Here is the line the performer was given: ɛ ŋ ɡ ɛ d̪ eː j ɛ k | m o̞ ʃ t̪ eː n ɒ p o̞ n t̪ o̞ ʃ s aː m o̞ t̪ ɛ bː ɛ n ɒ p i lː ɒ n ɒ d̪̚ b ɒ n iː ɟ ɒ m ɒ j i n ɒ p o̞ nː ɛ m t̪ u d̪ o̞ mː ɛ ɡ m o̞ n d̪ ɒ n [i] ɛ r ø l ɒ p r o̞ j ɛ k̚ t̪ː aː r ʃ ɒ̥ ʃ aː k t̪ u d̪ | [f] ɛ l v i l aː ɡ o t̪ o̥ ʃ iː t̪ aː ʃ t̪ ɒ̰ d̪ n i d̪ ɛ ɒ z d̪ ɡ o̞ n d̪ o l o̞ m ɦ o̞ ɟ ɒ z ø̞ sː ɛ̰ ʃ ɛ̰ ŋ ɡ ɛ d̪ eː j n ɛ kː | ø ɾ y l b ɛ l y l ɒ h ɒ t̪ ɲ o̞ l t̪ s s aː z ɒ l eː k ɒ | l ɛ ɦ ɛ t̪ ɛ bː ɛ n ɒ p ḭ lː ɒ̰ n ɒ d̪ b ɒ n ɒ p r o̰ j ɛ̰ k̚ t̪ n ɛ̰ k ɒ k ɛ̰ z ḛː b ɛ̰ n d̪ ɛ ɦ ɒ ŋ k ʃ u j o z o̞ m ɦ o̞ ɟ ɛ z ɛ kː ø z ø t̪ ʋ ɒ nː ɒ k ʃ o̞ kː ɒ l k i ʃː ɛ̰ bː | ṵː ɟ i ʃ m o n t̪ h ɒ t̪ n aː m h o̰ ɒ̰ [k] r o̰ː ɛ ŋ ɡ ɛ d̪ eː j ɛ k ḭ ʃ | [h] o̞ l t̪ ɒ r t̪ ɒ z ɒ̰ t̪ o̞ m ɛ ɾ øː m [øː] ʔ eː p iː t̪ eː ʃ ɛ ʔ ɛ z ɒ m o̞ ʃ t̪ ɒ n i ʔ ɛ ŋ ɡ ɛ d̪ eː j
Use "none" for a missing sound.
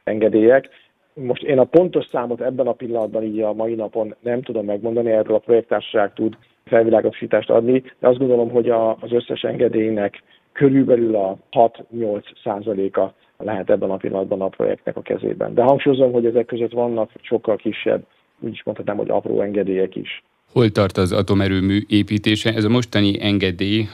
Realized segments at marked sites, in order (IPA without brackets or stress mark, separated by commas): i, f, p, h, yː